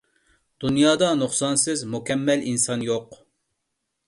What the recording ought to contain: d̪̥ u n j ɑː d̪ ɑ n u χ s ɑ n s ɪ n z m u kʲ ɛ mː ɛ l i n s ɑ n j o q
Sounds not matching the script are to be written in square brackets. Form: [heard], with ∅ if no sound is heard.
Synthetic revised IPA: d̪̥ u n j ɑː d̪ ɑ n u χ s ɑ n s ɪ [∅] z m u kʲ ɛ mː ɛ l i n s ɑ n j o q